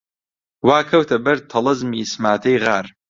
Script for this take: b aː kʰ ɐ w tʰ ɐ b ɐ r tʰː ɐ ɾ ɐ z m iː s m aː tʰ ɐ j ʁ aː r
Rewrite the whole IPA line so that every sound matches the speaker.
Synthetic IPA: w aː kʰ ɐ w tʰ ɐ b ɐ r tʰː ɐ l ɐ z m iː s m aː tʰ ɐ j ʁ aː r